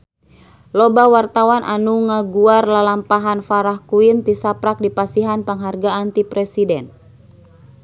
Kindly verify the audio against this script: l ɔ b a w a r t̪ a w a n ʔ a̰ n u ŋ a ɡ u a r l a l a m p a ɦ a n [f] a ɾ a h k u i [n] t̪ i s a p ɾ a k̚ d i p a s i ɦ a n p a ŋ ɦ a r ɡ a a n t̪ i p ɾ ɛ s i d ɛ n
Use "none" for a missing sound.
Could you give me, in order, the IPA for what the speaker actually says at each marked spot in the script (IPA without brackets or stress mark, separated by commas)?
f, n